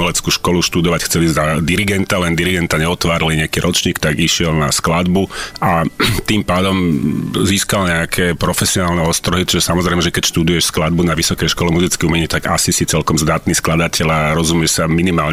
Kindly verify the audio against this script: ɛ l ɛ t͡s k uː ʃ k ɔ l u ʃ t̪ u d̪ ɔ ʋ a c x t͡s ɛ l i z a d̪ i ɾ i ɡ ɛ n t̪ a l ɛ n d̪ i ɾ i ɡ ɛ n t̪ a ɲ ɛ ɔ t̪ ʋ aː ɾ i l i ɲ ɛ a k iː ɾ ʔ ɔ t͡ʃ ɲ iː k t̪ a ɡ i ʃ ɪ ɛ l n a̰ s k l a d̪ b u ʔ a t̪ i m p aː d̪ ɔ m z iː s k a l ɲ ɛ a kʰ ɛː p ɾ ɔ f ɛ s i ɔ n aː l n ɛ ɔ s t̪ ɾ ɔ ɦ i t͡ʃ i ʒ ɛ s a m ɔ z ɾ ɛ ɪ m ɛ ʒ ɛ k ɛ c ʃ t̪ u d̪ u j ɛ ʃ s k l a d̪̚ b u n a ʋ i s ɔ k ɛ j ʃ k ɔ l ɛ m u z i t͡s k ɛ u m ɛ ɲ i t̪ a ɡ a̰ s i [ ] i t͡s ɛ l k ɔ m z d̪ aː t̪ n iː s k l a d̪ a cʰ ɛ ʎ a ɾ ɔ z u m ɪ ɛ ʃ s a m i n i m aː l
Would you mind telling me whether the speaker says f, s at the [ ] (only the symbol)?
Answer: s